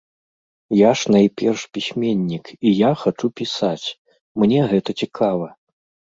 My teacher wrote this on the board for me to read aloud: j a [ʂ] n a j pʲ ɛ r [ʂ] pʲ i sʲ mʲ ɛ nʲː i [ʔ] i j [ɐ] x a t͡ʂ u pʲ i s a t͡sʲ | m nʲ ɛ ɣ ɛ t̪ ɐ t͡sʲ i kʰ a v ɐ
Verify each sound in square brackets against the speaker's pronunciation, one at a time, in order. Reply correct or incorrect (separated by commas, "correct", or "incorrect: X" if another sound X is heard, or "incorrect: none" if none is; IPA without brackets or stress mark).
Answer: correct, correct, incorrect: k, incorrect: a